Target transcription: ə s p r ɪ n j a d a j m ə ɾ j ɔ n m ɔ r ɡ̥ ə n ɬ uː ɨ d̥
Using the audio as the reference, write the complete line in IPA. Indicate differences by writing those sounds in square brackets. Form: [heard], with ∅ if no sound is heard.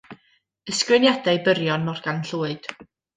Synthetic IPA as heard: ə s [k] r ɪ n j a d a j [b] ə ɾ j ɔ n m ɔ r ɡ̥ [a] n ɬ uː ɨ d̥